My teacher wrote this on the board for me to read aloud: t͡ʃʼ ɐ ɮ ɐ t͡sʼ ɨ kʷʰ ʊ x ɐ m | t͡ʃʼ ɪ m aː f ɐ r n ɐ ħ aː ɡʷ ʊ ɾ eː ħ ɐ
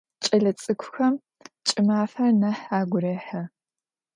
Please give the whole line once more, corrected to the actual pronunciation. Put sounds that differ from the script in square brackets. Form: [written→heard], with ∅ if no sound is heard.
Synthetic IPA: t͡ʃʼ ɐ ɮ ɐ t͡sʼ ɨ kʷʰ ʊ x ɐ m | t͡ʃʼ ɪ m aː f ɐ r n ɐ ħ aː ɡʷ ʊ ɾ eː ħ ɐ